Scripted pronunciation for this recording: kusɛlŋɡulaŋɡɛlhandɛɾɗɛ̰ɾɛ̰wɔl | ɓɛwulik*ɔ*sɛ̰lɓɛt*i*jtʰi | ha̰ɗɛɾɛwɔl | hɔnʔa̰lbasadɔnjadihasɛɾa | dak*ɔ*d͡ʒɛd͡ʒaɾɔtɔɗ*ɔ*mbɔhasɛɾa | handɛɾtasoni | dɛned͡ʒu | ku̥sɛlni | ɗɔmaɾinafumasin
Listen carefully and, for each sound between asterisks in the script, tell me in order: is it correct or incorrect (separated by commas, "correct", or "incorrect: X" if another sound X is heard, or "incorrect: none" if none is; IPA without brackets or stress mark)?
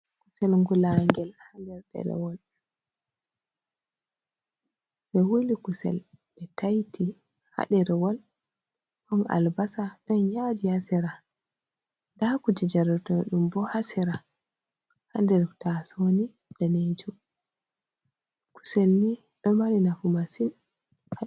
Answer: incorrect: u, incorrect: a, incorrect: u, incorrect: u